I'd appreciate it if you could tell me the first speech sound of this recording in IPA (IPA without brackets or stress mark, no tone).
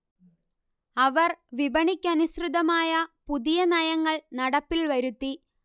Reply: ɐ